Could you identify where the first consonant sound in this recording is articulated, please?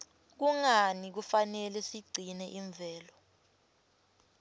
velar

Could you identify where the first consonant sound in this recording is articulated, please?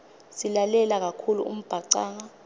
alveolar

